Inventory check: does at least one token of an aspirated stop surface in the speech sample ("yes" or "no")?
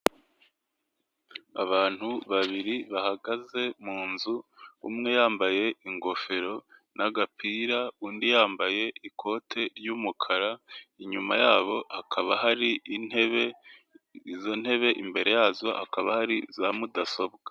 yes